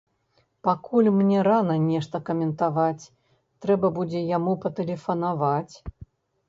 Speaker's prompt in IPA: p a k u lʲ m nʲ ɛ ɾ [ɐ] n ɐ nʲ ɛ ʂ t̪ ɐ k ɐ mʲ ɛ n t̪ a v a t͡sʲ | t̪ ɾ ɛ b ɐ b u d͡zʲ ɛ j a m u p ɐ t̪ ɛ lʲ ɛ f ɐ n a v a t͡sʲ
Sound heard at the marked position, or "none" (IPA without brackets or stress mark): a